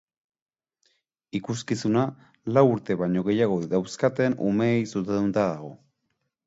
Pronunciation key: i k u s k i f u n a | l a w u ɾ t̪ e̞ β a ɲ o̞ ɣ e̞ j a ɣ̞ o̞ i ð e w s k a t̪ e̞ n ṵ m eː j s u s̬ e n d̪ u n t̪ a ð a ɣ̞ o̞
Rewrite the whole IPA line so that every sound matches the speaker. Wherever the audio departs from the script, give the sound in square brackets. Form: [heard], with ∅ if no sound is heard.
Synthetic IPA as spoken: i k u s k i [s] u n a | l a w u ɾ t̪ e̞ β a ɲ o̞ ɣ e̞ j a ɣ̞ o̞ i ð [a] w s k a t̪ e̞ n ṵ m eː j s u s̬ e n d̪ u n t̪ a ð a ɣ̞ o̞